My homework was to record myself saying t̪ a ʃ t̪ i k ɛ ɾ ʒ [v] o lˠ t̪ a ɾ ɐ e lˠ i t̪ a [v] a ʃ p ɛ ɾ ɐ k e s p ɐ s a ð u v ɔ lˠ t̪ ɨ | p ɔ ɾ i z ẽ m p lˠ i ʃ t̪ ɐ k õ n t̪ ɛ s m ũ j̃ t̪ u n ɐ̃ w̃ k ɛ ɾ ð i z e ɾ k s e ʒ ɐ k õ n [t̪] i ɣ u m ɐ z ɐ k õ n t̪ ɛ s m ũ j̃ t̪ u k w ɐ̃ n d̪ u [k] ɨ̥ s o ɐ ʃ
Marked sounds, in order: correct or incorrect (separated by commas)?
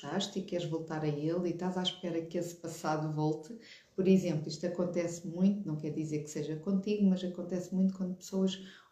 correct, incorrect, correct, incorrect